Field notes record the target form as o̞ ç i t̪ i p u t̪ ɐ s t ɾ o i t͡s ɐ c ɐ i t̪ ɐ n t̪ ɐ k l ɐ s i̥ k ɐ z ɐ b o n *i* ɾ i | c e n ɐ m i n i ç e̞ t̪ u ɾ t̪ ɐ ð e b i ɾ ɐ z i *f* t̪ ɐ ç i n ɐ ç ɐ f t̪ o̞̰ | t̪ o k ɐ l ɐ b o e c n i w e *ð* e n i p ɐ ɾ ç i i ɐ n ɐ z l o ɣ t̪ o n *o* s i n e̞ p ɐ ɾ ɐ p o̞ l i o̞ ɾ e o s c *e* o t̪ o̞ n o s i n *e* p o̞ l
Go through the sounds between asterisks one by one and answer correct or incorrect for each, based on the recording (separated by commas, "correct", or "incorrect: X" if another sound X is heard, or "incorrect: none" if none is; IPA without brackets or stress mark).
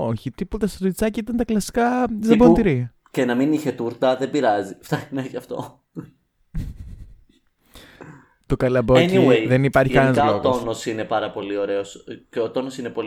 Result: correct, correct, correct, correct, correct, correct